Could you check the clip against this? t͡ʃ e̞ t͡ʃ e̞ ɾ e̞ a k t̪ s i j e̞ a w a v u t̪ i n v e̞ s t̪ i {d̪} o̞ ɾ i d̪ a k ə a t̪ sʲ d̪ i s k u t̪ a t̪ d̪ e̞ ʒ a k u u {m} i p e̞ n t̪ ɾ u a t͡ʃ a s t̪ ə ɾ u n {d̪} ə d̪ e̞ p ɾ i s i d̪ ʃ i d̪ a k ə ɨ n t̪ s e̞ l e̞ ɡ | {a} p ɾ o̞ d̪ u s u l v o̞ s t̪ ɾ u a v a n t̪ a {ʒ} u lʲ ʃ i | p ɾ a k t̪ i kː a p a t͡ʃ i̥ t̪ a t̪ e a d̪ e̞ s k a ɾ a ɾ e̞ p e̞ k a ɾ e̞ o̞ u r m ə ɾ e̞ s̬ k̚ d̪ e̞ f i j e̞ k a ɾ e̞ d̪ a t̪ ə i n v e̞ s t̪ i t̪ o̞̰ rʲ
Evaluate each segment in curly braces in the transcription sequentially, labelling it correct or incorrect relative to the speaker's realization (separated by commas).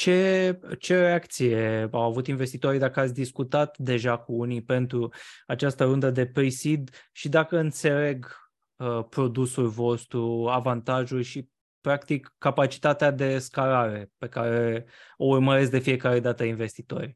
incorrect, incorrect, correct, incorrect, correct